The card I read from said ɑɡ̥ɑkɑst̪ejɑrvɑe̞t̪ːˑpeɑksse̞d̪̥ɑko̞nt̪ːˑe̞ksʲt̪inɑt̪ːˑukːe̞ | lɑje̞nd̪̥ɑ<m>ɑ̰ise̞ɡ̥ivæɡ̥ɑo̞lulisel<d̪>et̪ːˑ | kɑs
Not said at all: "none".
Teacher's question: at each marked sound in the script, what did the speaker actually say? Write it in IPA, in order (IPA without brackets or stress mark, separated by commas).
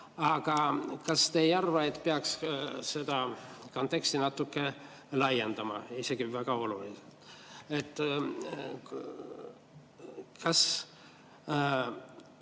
m, t̪